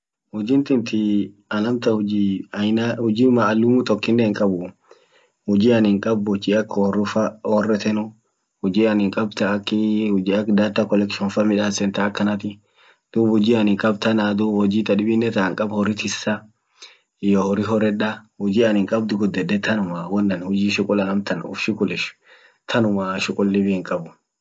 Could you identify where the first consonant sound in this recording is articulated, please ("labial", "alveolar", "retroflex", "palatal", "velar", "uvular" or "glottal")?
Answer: glottal